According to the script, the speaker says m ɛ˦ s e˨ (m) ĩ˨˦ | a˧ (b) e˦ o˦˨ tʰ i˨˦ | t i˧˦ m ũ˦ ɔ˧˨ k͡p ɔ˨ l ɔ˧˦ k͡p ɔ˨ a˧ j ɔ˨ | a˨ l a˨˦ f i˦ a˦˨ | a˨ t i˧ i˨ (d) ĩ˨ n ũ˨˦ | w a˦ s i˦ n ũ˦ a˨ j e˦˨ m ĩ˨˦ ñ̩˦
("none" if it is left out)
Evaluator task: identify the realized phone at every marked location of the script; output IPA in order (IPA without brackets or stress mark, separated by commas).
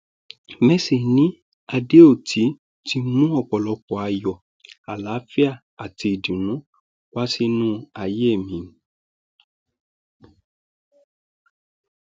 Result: n, d, d